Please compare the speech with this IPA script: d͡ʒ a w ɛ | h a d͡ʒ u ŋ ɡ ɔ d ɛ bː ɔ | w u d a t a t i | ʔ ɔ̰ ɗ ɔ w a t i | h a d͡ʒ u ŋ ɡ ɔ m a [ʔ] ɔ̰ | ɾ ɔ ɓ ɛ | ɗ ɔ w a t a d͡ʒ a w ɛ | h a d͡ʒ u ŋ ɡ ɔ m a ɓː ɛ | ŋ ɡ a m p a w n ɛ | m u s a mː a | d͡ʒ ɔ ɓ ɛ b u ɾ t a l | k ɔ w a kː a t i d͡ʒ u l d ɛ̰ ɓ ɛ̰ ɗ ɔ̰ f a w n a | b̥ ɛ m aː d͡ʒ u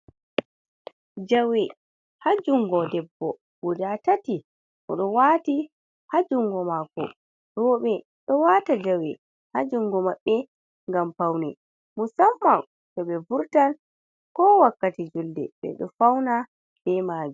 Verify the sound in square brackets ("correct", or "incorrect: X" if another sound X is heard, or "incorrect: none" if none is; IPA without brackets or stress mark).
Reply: incorrect: k